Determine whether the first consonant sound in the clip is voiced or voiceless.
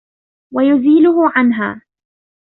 voiced